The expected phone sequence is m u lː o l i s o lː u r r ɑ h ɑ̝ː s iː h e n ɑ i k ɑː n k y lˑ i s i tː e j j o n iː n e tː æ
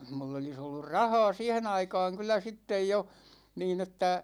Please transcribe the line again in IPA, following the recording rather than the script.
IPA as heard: m u lː o l i s o lː u r r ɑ h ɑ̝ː s iː h e n ɑ i k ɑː ŋ k y lˑ æ s i tː e j j o n iː n e tː æ

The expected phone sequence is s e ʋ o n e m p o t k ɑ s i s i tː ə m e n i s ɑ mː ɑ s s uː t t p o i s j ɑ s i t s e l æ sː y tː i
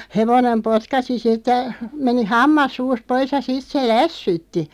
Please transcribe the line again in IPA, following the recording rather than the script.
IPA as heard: h e ʋ o n e m p o t k ɑ s i s i tː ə m e n i h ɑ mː ɑ s s uː s t p o i s j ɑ s i t s e l æ sː y tː i

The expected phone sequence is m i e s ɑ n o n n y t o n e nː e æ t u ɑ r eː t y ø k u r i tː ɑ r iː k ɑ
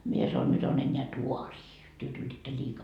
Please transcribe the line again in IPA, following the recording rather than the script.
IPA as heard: m i e s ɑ n o n n y t o n e nː e æ t u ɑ r iː t y ø t u l i tː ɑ l iː k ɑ

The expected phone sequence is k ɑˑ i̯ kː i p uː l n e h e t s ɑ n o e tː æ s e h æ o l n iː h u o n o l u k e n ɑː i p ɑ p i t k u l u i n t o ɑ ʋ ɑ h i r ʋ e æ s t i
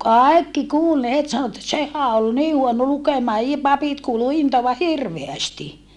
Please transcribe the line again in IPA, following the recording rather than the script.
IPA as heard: k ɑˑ i̯ kː i k uː l n e h e t s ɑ n o e tː æ s e h æ o l n iː h u o n o l u k e m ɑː i p ɑ p i t k uː l u i n t o ɑ ʋ ɑ h i r ʋ e æ s t i

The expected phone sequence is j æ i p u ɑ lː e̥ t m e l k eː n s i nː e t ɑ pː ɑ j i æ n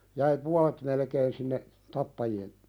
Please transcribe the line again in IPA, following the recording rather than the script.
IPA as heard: j æ i p u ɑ l e̥ t m e l k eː n s i nː e t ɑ pː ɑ j i e n

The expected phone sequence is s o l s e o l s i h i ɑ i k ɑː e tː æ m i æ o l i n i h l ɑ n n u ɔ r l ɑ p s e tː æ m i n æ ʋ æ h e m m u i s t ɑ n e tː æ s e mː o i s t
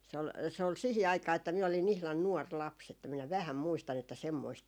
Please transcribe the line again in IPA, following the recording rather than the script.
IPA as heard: s o l s e o l s i h i ɑ i k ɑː e tː æ m i æ o l i n i h l ɑ n n u ɔ r l ɑ p s e tː æ m i n æ ʋ æ h æ m m u i s t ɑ n e tː æ s e mː o i s t

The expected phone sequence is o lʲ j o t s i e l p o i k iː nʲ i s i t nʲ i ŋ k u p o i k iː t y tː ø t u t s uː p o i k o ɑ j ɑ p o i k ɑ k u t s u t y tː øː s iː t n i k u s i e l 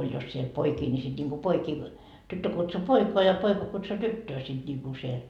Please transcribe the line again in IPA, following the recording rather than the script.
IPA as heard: o lʲ j o s s i e l p o i k iː nʲ i s i t nʲ i ŋ k u p o i k iː t y tː ø k u t s u p o i k o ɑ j ɑ p o i k ɑ k u t s u t y tː øː s i t n i k u s i e l

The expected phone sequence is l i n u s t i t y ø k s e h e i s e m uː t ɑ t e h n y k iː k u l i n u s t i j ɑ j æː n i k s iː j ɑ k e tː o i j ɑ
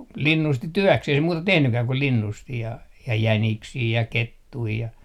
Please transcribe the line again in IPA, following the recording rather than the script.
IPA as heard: l i nː u s t i t y ø k s e h e i s e m uː t ɑ t e h n y k æː k u l i nː u s t i j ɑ j æ n i k s iː j ɑ k e tː u i j ɑ

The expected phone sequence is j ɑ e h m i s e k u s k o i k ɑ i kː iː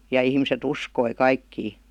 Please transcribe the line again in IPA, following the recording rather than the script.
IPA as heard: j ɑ i h m i s e t u s k o i k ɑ i kː iː

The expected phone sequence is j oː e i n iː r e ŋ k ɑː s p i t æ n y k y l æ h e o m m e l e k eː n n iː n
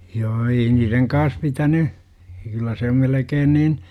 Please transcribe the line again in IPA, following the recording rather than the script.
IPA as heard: j oː e i n iː r e ŋ k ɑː s p i t æ n y k y lː æ s e o m m e l e k eː n n iː n

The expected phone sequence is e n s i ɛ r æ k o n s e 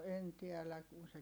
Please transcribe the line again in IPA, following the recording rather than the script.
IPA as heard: e n t i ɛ l æ k u n s e

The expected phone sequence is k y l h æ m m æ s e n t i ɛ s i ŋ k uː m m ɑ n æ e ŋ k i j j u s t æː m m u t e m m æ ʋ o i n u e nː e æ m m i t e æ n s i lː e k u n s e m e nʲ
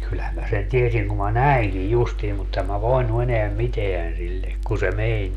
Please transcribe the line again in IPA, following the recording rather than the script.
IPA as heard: k y l h æ m m æ s e n t i e s i ŋ k u m m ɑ n æ i ŋ k i j j u s t iː m m u t e m m æ ʋ o i n u e n e æ m m i t e æ n s i lː e k u n s e m e nʲ

